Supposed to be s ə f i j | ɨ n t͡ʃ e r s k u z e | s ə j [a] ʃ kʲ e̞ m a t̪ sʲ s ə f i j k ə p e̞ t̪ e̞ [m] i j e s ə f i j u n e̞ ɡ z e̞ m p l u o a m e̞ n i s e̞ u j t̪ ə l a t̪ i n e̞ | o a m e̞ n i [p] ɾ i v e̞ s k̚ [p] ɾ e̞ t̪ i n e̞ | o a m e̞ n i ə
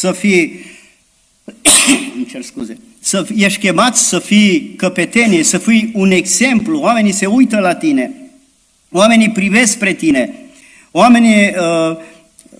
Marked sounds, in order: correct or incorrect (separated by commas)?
incorrect, incorrect, correct, correct